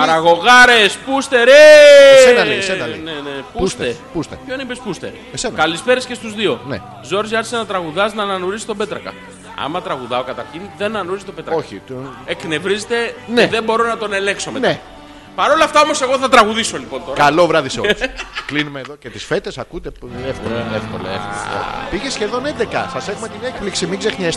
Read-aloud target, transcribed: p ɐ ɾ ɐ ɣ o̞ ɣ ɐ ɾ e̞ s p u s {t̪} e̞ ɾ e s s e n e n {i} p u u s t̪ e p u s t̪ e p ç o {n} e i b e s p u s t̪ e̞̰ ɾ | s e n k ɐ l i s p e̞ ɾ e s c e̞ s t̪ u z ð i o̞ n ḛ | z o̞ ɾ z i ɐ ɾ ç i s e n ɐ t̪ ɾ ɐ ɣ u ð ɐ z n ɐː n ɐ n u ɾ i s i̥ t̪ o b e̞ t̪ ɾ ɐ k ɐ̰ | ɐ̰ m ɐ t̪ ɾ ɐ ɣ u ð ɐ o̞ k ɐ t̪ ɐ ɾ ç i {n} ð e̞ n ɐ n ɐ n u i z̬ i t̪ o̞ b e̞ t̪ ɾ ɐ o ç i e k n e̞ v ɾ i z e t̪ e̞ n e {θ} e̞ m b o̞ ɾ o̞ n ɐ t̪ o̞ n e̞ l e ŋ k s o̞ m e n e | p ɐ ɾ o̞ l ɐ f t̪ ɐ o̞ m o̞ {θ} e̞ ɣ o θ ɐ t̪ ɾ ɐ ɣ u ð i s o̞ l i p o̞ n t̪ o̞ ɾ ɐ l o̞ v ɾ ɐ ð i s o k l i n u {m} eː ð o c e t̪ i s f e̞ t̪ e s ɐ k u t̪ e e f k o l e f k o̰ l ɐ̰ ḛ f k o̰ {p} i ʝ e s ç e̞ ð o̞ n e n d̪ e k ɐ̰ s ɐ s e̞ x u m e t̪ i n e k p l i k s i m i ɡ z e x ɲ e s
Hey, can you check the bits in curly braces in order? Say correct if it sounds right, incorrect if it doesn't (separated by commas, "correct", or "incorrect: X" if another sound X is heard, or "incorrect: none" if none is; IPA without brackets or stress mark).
correct, incorrect: e, correct, correct, incorrect: ð, incorrect: s, correct, correct